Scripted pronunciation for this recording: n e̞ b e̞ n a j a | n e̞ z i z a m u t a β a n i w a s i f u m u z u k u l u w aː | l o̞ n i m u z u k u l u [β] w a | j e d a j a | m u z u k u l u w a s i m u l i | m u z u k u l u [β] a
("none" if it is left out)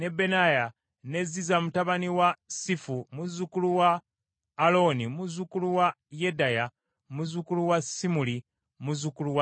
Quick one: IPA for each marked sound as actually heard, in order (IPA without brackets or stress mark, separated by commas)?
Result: none, w